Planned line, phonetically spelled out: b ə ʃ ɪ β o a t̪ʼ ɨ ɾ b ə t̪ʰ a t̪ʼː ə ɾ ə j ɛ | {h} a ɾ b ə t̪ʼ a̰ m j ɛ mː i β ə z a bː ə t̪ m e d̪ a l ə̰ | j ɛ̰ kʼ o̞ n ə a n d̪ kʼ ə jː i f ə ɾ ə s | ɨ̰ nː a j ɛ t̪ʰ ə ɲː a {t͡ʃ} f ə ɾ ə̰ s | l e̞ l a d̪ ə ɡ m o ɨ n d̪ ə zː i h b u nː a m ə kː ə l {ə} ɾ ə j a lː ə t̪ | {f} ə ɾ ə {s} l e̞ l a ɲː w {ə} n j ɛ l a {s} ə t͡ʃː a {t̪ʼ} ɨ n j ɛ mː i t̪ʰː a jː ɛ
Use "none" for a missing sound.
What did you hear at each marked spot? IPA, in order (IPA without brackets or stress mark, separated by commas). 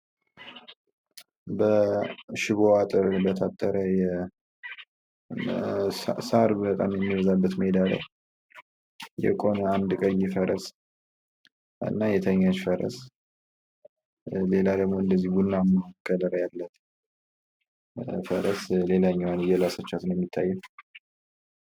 s, t͡ʃ, ə, f, s, a, s, t̪